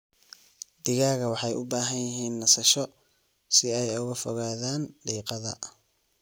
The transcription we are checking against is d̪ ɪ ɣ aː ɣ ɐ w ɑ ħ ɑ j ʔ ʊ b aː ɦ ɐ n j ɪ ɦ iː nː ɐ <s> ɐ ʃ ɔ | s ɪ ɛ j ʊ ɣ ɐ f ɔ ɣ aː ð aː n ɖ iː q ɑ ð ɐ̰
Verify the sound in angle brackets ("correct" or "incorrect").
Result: correct